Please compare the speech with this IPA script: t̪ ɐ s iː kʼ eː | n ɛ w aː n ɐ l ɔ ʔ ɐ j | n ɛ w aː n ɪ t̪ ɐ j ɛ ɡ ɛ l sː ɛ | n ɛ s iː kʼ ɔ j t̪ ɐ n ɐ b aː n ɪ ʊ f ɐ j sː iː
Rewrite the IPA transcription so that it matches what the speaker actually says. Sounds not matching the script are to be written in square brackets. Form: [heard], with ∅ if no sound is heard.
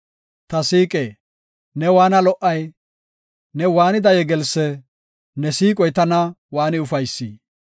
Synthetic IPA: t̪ ɐ s iː kʼ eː | n ɛ w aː n ɐ l ɔ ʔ ɐ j | n ɛ w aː n ɪ [d̪] ɐ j ɛ ɡ ɛ l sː ɛ | n ɛ s iː kʼ ɔ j t̪ ɐ n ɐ [w] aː n ɪ ʊ f ɐ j sː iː